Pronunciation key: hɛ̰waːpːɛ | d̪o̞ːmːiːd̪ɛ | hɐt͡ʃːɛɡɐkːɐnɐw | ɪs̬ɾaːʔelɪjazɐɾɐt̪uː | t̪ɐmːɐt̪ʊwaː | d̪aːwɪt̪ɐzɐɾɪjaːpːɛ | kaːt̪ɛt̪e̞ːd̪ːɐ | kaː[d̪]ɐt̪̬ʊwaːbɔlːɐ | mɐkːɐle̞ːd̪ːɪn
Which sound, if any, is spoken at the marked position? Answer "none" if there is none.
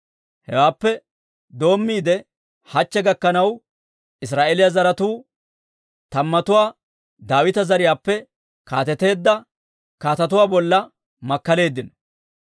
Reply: t̪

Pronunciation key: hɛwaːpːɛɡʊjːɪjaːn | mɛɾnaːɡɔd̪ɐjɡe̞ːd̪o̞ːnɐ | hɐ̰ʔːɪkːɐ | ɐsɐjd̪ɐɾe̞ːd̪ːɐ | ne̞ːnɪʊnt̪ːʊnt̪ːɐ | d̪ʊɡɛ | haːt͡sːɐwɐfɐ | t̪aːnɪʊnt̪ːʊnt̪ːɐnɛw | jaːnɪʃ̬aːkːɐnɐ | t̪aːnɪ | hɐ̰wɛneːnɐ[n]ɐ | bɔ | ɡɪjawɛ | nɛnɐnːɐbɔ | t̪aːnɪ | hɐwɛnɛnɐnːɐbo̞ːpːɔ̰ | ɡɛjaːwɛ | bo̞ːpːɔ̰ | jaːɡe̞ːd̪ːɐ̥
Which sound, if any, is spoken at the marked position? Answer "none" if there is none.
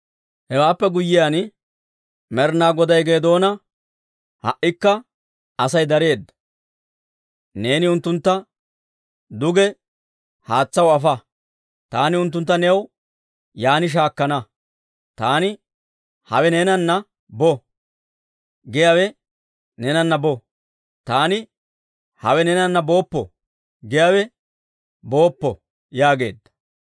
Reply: nː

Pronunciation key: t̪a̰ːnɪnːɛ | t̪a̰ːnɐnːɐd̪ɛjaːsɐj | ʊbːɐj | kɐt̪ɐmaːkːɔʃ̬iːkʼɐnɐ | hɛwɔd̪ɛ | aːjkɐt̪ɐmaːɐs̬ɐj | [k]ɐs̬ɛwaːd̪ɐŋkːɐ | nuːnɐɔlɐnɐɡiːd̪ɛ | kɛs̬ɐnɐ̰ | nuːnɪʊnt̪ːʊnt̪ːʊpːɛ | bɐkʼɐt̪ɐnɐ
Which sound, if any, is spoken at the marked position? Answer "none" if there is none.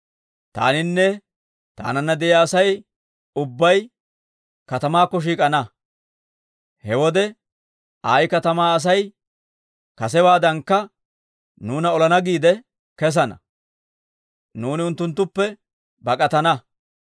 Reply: k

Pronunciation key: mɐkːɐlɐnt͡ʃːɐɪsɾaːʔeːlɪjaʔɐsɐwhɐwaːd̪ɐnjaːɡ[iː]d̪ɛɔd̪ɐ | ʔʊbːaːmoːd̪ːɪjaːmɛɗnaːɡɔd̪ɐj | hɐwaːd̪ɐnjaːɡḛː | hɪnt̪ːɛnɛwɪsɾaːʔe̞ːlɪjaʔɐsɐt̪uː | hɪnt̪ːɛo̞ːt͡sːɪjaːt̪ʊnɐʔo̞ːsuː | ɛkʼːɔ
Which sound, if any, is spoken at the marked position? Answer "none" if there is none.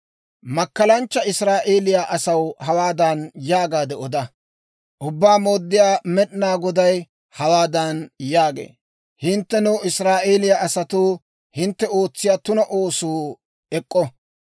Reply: aː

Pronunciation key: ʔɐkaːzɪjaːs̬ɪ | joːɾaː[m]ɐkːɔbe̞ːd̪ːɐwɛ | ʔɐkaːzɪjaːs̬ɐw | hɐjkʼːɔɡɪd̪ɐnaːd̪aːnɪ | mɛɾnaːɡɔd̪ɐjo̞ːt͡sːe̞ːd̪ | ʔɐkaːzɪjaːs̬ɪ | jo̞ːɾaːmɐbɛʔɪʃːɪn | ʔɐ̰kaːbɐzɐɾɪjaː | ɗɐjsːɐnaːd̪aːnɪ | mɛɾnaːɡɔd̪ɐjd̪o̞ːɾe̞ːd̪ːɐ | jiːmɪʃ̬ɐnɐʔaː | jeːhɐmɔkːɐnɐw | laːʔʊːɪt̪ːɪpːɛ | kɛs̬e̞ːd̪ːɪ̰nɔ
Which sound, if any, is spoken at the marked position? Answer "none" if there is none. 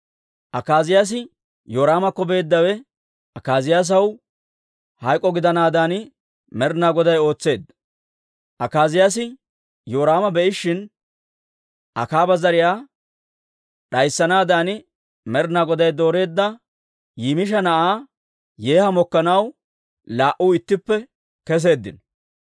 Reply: m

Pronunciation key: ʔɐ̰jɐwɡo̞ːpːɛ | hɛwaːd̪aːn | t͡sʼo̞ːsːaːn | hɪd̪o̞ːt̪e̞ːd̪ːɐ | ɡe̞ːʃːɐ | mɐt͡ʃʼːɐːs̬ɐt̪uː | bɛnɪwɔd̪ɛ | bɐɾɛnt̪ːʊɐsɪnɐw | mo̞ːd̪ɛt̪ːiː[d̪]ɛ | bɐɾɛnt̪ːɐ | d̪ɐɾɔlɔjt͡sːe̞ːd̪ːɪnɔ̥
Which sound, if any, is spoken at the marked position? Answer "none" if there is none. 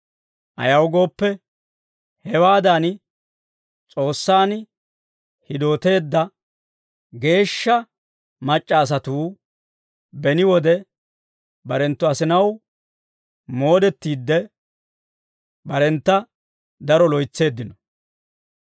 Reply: d̪ː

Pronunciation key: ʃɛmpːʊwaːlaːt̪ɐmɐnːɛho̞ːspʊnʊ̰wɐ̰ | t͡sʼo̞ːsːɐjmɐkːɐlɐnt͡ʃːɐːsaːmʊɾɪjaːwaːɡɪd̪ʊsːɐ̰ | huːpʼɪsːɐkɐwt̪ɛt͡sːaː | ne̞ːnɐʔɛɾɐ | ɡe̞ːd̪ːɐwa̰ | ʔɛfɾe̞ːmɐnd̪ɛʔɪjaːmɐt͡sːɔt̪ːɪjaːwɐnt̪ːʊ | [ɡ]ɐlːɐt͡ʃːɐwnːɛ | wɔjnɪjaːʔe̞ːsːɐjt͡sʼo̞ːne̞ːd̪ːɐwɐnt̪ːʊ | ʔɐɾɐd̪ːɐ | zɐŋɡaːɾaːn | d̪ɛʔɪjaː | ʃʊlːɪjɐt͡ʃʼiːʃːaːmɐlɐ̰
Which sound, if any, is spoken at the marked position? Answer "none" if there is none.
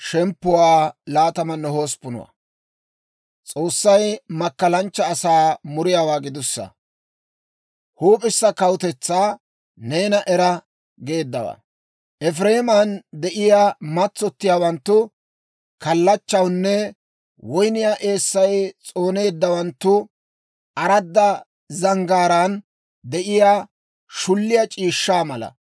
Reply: k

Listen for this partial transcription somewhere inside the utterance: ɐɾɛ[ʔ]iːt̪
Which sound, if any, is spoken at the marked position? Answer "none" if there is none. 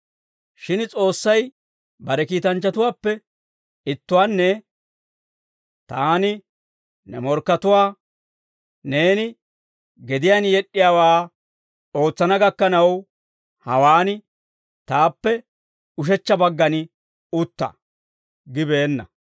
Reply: k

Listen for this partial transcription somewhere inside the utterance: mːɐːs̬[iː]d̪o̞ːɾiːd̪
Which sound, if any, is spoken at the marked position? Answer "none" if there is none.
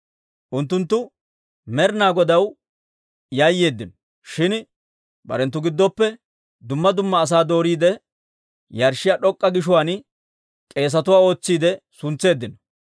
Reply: aː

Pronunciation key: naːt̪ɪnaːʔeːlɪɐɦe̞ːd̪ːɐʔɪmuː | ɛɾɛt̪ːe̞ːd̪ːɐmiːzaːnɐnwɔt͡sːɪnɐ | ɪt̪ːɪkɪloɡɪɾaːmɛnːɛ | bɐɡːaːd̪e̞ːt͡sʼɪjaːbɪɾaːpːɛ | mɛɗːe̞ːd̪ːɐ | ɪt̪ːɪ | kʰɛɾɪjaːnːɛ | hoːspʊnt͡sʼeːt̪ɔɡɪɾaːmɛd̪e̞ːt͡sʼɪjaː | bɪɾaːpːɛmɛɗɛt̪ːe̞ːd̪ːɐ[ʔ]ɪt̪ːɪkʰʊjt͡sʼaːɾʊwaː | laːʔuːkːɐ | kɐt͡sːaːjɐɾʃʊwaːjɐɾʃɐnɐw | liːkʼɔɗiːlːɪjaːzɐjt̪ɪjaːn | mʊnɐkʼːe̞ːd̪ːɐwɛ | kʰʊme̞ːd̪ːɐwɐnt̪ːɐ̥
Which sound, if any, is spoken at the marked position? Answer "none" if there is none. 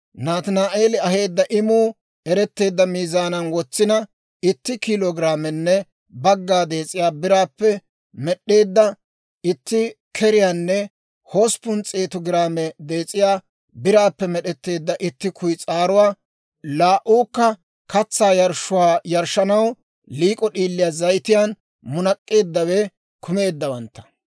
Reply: ʔ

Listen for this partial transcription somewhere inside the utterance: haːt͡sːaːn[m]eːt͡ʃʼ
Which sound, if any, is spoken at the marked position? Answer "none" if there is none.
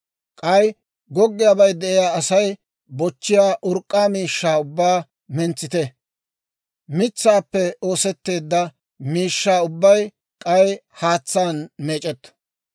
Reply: m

